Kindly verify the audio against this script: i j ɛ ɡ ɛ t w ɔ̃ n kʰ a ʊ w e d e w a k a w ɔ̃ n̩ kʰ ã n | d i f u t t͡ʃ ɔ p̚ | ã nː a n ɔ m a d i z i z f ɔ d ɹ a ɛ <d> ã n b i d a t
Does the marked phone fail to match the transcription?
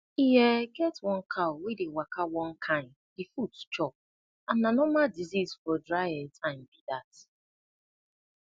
yes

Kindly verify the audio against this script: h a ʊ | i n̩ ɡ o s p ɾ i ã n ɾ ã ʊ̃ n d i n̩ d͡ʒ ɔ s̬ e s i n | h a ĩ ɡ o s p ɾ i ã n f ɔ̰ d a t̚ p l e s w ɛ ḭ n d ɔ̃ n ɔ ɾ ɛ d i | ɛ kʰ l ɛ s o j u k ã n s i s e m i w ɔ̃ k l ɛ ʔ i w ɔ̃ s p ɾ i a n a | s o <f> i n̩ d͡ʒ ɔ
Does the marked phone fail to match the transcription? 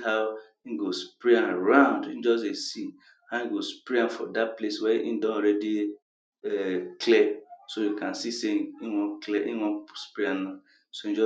yes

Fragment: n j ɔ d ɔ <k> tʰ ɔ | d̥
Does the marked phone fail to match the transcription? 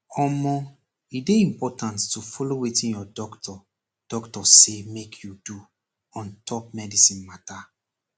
no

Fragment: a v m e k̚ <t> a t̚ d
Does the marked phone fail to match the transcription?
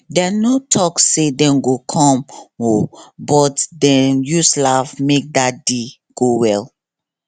yes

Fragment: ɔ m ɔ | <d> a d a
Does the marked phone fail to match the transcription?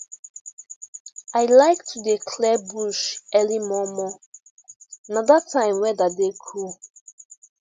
yes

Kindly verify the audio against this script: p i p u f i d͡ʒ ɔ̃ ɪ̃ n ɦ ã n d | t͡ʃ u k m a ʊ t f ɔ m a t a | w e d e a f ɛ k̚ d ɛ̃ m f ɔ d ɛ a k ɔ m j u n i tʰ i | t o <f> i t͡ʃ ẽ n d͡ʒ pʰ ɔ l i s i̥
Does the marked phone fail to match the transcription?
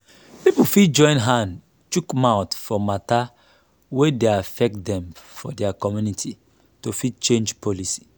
no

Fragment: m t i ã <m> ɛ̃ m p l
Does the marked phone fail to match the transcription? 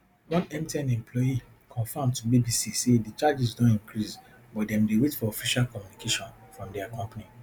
yes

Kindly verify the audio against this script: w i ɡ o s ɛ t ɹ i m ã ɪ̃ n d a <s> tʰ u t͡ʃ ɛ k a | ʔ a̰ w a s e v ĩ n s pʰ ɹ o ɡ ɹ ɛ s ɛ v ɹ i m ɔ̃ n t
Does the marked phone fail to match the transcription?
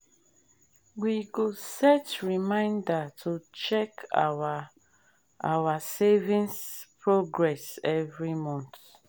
yes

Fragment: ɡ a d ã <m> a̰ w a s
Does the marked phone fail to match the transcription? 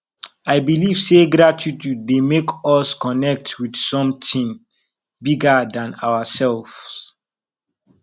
yes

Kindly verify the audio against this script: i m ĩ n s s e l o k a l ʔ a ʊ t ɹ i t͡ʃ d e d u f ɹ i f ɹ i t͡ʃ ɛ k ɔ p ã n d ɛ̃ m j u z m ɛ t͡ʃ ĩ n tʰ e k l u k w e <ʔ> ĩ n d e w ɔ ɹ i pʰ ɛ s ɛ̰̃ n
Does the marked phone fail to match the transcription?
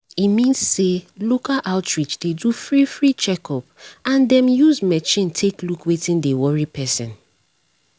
yes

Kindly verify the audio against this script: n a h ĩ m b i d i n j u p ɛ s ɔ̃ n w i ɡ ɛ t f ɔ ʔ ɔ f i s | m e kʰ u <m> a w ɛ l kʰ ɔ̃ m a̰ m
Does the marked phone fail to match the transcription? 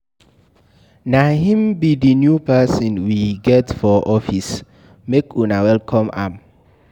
yes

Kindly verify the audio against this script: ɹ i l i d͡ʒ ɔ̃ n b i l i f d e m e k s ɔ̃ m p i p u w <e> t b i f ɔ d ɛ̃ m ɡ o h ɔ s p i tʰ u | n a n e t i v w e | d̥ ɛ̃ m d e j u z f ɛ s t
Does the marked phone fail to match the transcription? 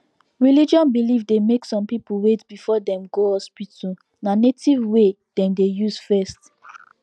no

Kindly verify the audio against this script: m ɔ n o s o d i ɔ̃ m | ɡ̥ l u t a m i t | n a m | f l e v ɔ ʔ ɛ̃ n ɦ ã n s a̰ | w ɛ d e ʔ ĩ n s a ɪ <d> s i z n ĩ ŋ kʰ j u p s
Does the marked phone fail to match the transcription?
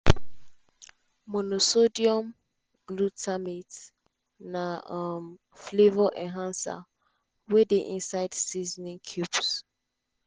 no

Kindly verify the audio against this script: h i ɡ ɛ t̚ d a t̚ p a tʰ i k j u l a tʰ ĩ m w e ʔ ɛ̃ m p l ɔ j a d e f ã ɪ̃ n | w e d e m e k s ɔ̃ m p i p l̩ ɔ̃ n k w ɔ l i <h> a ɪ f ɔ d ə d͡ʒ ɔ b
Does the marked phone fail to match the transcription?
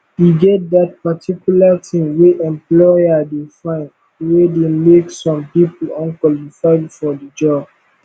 yes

